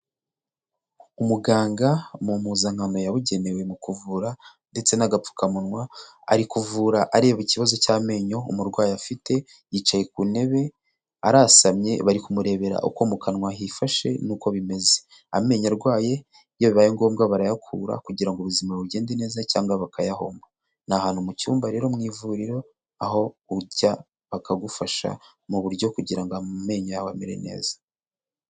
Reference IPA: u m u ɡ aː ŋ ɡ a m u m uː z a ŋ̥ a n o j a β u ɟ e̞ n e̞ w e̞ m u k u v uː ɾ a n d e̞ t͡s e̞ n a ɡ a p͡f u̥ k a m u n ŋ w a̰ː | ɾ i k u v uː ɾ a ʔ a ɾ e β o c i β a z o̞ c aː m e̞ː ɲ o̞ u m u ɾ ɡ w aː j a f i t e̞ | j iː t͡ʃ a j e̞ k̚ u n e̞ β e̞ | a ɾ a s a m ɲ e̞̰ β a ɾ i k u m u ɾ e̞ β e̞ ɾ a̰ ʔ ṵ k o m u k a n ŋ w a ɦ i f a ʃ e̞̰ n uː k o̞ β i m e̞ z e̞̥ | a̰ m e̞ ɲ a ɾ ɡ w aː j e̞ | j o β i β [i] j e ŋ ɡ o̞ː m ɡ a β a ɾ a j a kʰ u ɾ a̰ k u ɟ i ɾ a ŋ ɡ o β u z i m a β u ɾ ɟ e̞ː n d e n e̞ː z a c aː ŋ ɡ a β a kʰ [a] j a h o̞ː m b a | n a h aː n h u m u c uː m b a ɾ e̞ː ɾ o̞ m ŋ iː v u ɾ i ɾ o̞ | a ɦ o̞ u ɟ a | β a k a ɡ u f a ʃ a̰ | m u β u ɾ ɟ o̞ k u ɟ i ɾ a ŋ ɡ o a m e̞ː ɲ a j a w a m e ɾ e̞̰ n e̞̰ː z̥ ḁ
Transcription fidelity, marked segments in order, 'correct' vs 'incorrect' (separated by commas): incorrect, correct